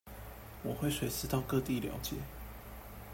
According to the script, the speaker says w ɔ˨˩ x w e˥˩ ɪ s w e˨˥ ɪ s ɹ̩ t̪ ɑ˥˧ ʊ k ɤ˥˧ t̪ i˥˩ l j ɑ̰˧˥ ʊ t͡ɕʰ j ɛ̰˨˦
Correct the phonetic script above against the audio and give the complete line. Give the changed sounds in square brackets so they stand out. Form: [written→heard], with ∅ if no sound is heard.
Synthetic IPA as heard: w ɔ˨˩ x w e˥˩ ɪ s w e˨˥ ɪ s ɹ̩ t̪ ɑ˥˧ ʊ k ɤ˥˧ t̪ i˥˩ l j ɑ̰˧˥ ʊ [t͡ɕʰ→t͡ɕ] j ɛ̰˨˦